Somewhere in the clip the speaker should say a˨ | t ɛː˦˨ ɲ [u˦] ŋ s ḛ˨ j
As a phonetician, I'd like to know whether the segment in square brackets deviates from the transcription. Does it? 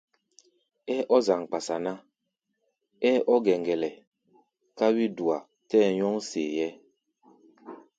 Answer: yes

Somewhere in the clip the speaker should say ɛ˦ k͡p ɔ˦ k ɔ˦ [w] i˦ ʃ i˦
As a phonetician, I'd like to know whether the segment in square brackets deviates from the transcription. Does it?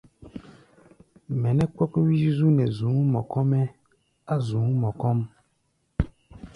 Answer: no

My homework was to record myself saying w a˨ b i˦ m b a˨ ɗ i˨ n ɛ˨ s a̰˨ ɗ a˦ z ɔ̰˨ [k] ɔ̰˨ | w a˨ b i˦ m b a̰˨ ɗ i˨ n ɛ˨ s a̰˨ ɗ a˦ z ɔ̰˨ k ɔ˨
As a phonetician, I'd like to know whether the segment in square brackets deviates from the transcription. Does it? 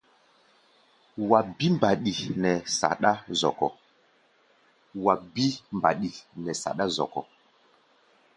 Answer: no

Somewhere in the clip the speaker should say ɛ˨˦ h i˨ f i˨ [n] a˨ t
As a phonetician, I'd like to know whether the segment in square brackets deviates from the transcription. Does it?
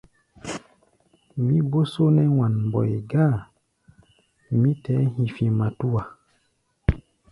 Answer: yes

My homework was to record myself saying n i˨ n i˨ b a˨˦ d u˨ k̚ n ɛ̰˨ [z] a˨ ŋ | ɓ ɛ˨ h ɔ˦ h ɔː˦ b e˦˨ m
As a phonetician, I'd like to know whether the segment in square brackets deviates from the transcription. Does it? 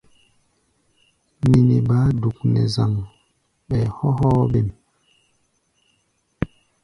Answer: no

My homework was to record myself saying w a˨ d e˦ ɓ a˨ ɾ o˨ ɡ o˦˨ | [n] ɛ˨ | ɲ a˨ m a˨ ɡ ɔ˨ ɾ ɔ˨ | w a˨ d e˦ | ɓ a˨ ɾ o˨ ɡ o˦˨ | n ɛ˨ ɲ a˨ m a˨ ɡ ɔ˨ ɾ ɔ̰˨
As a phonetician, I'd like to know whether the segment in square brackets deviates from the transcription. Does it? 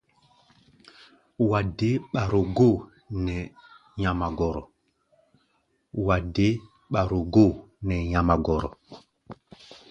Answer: no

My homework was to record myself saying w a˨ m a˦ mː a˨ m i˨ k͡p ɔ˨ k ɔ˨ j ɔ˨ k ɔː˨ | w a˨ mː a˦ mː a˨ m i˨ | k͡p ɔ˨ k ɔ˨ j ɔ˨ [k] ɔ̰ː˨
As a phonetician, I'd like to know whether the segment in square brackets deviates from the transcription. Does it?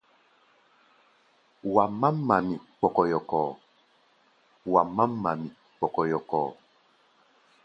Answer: no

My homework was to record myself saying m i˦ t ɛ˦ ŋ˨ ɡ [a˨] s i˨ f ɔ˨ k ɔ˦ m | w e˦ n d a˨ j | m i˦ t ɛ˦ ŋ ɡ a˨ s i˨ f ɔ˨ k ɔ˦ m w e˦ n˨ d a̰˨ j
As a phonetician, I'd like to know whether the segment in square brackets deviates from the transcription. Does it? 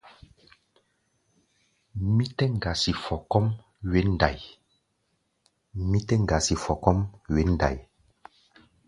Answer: no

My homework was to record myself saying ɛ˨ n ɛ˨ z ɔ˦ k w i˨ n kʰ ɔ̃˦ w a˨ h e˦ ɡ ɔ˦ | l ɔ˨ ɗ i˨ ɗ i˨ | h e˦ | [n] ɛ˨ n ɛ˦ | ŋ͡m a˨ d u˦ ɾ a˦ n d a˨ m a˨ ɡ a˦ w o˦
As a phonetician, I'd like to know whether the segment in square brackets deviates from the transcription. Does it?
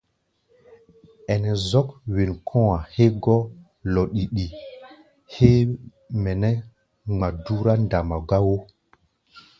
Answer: yes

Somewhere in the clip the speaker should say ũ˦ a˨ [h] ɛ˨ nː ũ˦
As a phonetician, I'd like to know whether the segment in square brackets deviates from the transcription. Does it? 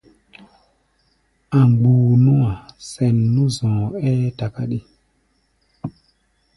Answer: yes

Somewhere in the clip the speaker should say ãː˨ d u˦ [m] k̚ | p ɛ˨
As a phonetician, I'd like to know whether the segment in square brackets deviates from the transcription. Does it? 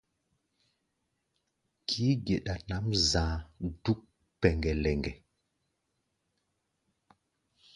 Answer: yes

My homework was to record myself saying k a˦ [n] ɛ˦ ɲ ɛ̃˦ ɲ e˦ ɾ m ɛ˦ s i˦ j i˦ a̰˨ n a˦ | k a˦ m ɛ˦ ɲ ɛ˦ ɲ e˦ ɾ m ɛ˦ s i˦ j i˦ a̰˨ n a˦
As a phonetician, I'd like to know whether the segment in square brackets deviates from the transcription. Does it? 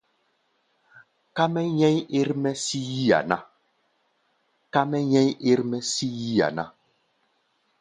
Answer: yes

